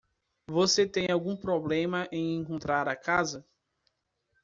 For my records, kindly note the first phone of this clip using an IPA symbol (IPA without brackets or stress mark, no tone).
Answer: v